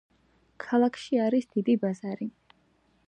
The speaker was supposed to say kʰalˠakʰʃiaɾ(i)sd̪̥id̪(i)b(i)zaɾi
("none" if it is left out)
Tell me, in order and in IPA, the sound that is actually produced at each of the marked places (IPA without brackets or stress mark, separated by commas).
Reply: i, i, a